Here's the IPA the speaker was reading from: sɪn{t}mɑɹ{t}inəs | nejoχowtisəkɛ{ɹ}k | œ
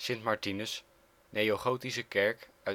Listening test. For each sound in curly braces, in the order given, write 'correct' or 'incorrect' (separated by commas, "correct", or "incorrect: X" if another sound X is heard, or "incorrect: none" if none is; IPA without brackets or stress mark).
correct, correct, correct